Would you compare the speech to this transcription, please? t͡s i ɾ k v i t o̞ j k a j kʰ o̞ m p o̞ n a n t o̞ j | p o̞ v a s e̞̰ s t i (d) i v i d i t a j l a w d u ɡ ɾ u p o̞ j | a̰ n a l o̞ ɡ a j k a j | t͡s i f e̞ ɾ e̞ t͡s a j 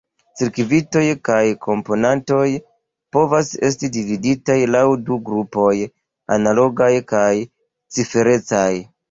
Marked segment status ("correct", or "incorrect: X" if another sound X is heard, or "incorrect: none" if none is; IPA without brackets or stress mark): correct